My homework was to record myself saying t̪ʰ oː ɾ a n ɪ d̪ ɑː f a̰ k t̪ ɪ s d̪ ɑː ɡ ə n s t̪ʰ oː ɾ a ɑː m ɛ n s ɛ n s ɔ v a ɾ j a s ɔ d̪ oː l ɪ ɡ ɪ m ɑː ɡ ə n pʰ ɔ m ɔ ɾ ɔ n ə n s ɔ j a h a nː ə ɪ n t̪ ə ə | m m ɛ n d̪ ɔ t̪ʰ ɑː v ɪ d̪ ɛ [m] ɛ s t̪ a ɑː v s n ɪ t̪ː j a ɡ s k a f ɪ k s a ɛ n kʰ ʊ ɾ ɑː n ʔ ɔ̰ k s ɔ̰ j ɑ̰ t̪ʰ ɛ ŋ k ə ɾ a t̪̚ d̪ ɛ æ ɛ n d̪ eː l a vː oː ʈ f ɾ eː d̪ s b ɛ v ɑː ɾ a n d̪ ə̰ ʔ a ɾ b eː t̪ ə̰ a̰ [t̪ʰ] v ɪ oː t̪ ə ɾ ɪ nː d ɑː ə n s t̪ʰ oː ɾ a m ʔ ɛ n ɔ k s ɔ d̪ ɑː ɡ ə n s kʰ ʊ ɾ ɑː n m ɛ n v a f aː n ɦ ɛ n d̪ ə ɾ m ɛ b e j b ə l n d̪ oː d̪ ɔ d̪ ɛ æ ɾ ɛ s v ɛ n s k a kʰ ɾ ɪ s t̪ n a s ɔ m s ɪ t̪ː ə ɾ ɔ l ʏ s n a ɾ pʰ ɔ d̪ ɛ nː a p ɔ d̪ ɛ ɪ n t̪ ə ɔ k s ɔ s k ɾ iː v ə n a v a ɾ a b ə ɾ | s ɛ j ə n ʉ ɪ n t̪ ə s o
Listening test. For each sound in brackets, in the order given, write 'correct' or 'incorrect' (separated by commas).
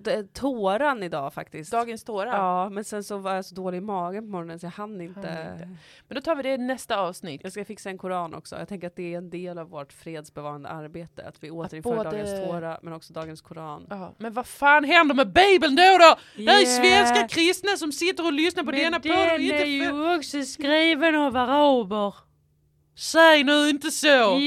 incorrect, incorrect